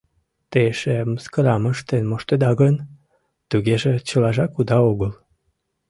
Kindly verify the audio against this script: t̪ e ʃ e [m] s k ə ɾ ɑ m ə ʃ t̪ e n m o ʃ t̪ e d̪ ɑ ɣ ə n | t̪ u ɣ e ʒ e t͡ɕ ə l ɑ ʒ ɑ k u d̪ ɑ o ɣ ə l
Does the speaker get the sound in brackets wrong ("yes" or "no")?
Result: no